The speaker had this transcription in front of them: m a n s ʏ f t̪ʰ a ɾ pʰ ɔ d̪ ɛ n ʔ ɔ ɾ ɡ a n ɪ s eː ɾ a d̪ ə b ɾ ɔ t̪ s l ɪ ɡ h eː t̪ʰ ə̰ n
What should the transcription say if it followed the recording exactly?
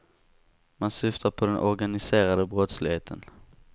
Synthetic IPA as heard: m a n s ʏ f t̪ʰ a ɾ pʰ ɔ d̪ ɛ n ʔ ɔ ɾ ɡ a n ɪ s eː ɾ a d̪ ə b ɾ ɔ t̪ s l ɪ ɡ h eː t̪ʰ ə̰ n